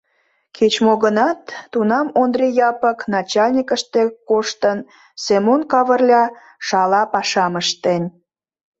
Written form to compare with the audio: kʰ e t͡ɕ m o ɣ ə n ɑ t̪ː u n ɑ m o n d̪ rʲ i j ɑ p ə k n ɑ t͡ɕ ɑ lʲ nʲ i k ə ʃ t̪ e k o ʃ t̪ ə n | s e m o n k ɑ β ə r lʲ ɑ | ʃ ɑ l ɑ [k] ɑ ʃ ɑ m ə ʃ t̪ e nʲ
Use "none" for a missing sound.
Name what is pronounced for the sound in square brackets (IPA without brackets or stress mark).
p